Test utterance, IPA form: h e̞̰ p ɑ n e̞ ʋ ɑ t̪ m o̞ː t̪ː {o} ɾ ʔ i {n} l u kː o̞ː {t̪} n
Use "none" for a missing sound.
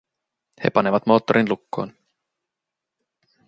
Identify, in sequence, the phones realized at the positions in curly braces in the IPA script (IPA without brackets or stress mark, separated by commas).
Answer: o, n, none